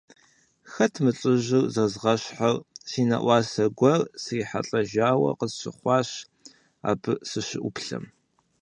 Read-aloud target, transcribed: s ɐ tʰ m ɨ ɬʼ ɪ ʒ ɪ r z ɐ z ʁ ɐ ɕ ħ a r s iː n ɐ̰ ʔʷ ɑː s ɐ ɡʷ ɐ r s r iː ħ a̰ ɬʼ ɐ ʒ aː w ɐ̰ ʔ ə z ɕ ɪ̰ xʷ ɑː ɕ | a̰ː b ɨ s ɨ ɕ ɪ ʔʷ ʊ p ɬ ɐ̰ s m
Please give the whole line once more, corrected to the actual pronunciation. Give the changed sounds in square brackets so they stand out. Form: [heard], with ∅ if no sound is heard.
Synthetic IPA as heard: [x] ɐ tʰ m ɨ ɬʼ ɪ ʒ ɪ r z ɐ z ʁ ɐ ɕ ħ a r s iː n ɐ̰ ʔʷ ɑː s ɐ ɡʷ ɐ r s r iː ħ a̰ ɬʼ ɐ ʒ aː w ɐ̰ [q] ə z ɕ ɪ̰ [χʷ] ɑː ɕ | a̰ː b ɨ s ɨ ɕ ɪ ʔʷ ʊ p ɬ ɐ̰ [∅] m